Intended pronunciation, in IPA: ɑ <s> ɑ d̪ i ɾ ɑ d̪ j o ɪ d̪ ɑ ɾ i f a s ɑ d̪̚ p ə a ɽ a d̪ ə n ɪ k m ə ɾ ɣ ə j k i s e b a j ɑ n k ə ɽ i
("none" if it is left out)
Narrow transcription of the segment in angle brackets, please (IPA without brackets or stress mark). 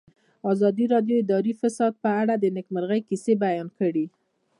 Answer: z